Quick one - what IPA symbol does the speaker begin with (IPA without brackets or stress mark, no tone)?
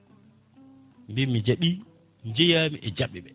m